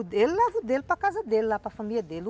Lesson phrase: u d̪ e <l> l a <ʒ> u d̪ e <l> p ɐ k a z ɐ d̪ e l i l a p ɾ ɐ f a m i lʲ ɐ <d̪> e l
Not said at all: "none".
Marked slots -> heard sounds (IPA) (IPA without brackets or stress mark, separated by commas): l, v, l, d̪